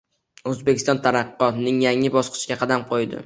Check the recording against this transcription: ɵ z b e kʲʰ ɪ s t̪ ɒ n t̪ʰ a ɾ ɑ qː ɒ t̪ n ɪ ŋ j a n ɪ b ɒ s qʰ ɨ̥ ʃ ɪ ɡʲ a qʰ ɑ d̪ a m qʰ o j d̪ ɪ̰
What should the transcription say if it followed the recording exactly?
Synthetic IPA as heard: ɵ z b e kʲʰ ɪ s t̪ ɒ n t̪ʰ a ɾ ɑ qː ɒ t̪ n ɪ ŋ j a ŋ ɪ b ɒ s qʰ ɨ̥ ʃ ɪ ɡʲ a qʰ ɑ d̪ a m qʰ o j d̪ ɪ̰